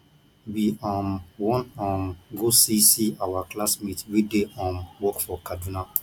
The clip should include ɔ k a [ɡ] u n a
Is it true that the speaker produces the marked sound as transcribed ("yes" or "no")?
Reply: no